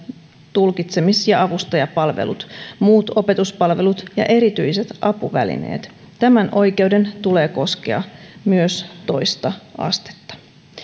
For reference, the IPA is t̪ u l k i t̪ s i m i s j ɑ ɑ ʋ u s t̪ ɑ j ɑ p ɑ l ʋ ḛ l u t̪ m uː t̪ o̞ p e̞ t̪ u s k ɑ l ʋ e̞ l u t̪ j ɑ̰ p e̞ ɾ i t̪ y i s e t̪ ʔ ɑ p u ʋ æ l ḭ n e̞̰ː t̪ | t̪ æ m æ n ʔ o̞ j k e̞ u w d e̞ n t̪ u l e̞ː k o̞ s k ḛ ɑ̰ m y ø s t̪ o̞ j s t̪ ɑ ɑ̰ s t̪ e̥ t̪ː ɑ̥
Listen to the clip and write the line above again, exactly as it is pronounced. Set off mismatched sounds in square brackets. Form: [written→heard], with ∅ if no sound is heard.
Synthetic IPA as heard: t̪ u l k i t̪ s [i→e] m i s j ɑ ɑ ʋ u s t̪ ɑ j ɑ p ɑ l ʋ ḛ l u t̪ m uː t̪ o̞ p e̞ t̪ u s [k→p] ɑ l ʋ e̞ l u t̪ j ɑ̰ [p→ʔ] e̞ ɾ i t̪ y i s e t̪ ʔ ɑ p u ʋ æ l ḭ n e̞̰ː t̪ | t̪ æ m æ n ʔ o̞ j k e̞ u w d e̞ n t̪ u l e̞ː k o̞ s k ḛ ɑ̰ m y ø s t̪ o̞ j s t̪ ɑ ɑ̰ s t̪ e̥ t̪ː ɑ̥